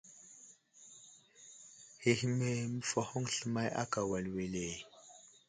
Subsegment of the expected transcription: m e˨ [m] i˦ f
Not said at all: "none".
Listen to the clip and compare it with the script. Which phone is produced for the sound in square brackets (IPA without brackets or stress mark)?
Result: m